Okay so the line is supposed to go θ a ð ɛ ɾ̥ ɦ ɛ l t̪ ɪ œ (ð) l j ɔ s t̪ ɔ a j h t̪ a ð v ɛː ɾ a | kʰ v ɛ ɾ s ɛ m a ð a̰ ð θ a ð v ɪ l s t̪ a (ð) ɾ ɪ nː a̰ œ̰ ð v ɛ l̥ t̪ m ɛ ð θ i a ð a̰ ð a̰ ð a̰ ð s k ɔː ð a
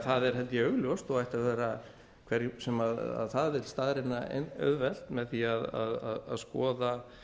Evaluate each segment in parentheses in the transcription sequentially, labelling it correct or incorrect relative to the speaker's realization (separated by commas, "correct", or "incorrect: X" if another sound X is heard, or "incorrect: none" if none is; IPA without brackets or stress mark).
incorrect: ɣ, correct